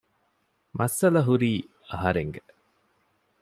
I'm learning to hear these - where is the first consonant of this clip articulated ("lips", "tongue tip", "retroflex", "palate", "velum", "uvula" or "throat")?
lips